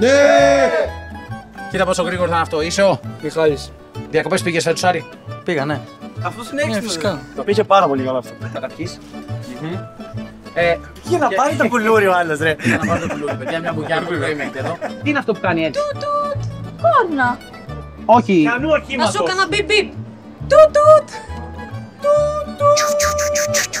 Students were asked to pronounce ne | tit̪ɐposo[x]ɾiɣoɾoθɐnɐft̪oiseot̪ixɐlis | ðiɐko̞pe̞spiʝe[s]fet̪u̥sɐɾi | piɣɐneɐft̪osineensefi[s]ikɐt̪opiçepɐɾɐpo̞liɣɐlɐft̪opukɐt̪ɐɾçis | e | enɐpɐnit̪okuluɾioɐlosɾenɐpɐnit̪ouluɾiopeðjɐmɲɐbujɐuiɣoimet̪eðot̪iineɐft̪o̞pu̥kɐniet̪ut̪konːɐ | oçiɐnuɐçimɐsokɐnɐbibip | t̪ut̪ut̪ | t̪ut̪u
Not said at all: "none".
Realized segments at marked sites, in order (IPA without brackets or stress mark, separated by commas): ɣ, s, s